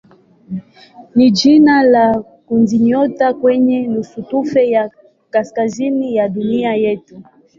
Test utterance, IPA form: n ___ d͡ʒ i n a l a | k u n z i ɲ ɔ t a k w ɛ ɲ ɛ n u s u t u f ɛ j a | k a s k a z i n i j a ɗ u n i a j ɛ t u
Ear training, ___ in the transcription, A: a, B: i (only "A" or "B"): B